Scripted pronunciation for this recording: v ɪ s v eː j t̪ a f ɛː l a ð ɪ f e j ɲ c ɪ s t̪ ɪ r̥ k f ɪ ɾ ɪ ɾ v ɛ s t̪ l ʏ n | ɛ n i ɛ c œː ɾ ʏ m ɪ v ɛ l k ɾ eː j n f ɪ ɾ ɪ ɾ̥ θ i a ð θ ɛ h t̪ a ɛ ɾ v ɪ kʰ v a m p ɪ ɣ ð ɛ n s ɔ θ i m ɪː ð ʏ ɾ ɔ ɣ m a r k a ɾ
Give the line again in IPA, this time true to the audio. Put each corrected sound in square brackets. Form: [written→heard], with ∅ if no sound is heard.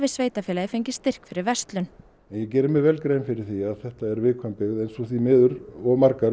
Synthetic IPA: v ɪ s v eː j t̪ a f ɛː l a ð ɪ f e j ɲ c ɪ s t̪ ɪ r̥ k f ɪ ɾ ɪ ɾ v ɛ s t̪ l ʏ n | ɛ n [i→j] ɛ c [œː→ɛː] ɾ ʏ m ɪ v ɛ l k ɾ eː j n f ɪ ɾ ɪ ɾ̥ θ i a ð θ ɛ h t̪ a ɛ ɾ v ɪ kʰ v a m p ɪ ɣ ð ɛ n s ɔ θ i m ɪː ð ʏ ɾ ɔ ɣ m a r k a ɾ